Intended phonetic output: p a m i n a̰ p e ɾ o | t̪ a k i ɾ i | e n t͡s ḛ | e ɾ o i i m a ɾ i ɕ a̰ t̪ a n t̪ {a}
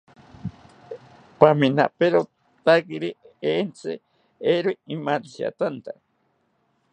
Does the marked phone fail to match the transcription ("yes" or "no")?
no